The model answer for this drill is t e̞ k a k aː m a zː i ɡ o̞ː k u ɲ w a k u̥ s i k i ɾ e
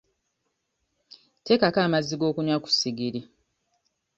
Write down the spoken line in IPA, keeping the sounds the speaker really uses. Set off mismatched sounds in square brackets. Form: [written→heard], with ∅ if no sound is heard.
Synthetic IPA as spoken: t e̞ k a k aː m a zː i ɡ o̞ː k u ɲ w a k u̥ s i [k→ɡ] i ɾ [e→i]